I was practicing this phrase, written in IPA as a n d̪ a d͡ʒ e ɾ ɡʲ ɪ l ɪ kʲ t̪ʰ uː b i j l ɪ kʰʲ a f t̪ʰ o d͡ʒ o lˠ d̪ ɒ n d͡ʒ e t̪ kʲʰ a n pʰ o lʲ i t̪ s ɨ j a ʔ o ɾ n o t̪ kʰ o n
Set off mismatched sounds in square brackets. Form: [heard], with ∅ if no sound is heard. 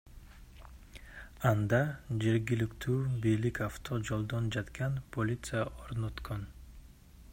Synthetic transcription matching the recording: a n d̪ a d͡ʒ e ɾ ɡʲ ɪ l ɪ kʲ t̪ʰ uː b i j l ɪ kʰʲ a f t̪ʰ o d͡ʒ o lˠ d̪ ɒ n d͡ʒ [a] t̪ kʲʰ a n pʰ o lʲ i t̪ s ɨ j a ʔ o ɾ n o t̪ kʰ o n